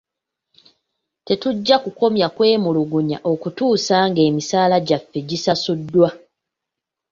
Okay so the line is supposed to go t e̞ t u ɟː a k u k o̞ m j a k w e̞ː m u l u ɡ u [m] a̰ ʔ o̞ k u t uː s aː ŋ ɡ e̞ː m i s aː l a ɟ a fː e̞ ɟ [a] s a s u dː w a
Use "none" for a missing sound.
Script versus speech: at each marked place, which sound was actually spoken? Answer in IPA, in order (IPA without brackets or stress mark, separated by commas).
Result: ɲ, i